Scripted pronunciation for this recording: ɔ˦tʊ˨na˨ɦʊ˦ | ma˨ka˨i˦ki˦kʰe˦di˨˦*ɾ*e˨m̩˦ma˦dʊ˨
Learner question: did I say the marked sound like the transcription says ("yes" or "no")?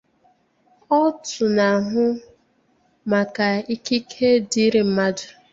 yes